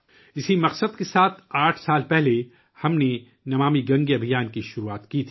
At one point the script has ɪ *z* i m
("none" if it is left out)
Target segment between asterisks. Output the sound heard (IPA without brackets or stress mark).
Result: s